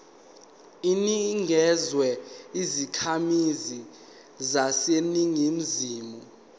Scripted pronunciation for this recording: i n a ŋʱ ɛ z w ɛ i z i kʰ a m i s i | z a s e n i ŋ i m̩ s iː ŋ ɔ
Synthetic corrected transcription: i n i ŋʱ ɛ z w ɛ i z i kʰ a m i z i | z a s e n i ŋ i m̩ z iː m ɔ